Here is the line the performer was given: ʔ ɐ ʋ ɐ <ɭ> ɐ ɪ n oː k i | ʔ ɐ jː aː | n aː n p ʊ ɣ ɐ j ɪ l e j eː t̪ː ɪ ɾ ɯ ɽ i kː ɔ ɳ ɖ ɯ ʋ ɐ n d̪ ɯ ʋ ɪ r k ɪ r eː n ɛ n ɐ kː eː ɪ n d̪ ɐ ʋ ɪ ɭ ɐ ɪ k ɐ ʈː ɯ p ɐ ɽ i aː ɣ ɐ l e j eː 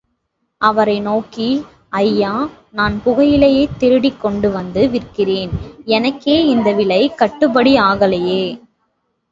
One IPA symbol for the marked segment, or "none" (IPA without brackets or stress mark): ɾ